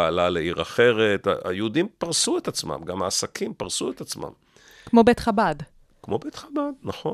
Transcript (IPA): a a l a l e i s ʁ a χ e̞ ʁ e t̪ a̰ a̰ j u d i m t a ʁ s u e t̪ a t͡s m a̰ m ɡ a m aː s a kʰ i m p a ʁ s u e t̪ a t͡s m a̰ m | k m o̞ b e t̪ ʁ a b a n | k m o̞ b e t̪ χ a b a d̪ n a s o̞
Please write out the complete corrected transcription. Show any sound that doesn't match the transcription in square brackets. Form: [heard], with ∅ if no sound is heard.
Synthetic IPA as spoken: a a l a l e i [∅] ʁ a χ e̞ ʁ e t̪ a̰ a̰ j u d i m [p] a ʁ s u e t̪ a t͡s m a̰ m ɡ a m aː s a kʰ i m p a ʁ s u e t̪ a t͡s m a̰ m | k m o̞ b e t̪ [χ] a b a [d] | k m o̞ b e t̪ χ a b a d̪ n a [χ] o̞